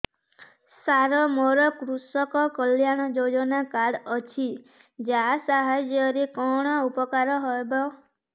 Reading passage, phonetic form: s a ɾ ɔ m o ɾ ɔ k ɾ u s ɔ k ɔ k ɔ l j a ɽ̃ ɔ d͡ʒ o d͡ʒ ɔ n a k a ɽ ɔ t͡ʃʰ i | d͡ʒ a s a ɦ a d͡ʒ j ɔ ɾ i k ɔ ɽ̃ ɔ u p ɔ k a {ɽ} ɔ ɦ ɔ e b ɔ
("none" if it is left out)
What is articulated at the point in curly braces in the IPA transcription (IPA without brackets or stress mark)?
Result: ɾ